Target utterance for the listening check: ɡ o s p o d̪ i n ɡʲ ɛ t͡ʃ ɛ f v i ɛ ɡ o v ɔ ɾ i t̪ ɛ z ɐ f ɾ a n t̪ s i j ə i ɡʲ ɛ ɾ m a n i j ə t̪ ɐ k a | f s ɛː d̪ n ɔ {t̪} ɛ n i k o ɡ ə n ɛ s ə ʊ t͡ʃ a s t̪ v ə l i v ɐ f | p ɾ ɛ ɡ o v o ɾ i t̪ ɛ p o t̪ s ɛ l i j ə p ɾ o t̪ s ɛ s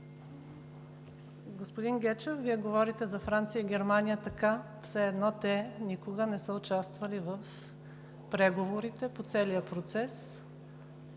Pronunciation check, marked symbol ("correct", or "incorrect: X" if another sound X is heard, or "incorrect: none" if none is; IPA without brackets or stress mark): correct